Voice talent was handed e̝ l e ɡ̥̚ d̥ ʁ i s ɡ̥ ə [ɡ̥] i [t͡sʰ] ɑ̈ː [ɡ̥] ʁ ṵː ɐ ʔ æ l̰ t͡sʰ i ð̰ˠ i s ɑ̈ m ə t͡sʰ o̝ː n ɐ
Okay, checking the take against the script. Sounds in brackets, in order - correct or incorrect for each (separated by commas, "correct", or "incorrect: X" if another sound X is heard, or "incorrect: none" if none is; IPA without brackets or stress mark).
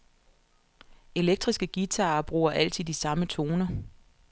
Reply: correct, correct, incorrect: b̥